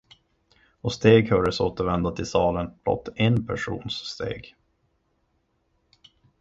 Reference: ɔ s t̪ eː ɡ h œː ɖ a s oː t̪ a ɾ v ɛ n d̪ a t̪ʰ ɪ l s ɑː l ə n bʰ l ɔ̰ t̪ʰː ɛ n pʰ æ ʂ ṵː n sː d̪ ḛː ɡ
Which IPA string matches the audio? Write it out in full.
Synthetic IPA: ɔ s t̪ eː ɡ h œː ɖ ə s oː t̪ ə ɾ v ɛ n d̪ a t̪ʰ ɪ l s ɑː l ə n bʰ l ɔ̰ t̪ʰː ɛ n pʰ æ ʂ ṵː n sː t̪ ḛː ɡ